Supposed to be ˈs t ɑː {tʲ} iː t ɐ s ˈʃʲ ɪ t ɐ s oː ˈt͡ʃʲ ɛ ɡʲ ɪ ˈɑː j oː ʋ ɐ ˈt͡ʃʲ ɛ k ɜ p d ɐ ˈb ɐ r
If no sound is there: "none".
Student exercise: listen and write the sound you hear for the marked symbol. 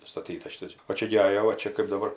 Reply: tʲ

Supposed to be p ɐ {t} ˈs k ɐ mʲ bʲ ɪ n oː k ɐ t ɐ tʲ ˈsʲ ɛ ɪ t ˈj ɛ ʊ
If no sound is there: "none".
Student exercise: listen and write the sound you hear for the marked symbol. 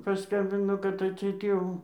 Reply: none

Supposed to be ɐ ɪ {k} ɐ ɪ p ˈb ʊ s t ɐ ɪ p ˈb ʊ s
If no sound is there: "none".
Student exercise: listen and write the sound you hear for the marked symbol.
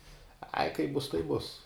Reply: k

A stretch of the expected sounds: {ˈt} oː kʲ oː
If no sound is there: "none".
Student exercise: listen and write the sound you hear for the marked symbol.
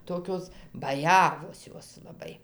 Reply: t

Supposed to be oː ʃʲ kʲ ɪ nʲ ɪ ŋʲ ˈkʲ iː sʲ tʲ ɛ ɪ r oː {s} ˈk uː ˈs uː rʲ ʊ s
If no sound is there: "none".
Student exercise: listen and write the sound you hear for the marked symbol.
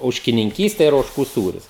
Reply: ʃ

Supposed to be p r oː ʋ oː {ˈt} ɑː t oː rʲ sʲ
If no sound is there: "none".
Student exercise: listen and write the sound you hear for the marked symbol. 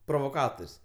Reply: k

